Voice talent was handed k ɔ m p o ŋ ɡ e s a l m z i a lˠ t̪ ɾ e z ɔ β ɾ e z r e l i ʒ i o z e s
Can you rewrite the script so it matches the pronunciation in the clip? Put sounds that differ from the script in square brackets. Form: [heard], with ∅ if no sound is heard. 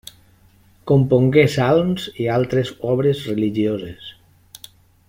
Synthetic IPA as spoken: k [o] m p o ŋ ɡ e s a l m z i a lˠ t̪ ɾ e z ɔ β ɾ e z r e l i ʒ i o z e s